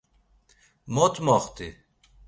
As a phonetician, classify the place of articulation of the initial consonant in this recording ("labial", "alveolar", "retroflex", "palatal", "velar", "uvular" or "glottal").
labial